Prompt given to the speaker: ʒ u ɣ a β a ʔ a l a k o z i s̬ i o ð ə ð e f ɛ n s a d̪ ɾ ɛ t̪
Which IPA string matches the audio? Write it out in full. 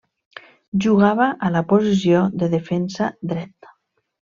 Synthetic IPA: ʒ u ɣ a β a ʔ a l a p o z i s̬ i o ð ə ð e f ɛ n s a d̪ ɾ ɛ t̪